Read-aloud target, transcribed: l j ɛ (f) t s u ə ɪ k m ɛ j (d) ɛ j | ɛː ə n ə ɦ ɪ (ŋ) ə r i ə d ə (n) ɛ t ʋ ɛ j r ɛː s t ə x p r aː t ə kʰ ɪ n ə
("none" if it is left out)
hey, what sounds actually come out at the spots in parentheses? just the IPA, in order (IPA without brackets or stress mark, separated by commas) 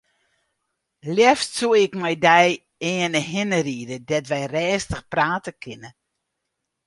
f, d, n, d